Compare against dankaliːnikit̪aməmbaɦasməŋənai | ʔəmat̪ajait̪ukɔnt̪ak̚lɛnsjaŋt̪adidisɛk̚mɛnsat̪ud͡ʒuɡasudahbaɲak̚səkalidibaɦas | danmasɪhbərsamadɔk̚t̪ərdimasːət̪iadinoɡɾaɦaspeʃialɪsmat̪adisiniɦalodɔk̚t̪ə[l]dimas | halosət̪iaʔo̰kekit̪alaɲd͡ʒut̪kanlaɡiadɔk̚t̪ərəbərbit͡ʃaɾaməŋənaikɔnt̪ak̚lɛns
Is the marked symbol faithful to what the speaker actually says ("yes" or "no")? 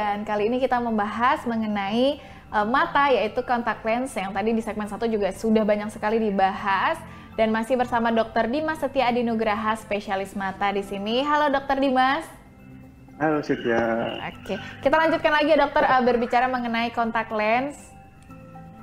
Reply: no